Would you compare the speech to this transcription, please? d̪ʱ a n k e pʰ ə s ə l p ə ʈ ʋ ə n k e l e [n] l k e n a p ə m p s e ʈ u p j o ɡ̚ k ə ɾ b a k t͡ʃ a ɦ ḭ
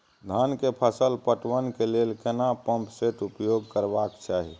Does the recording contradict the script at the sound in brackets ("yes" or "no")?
yes